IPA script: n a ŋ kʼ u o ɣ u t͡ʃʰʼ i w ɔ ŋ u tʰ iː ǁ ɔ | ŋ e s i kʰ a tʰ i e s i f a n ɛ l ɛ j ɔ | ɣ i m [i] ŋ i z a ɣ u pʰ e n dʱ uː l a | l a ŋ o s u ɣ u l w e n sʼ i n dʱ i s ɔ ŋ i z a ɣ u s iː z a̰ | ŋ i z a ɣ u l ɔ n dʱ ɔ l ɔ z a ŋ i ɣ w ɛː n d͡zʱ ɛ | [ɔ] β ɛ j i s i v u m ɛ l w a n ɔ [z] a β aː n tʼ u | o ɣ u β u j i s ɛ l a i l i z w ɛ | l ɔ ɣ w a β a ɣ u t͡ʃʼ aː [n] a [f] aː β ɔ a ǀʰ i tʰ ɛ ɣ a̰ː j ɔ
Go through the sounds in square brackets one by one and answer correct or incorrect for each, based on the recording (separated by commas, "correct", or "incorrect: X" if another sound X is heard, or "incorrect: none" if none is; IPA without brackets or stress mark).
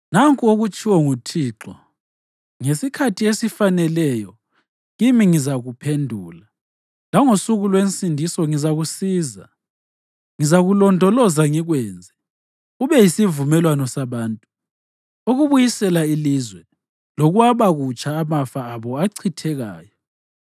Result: correct, incorrect: u, incorrect: s, incorrect: m, correct